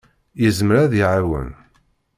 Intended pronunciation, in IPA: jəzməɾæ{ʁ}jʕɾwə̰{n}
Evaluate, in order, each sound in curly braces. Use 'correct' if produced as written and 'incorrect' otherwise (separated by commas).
incorrect, correct